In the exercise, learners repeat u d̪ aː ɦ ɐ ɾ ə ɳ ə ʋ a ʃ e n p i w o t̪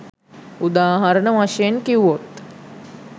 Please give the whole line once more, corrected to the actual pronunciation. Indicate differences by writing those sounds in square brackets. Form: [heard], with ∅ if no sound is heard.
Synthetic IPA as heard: u d̪ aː ɦ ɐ ɾ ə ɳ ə ʋ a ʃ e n [k] i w o t̪